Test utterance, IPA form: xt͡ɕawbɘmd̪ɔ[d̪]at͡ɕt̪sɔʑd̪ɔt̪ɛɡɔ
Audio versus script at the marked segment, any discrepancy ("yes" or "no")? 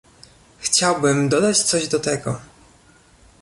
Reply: no